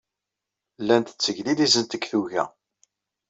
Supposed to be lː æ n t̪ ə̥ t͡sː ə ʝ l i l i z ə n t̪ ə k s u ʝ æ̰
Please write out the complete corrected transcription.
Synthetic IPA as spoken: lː æ n t̪ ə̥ t͡sː ə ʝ l i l i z ə n t̪ ə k θ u ʝ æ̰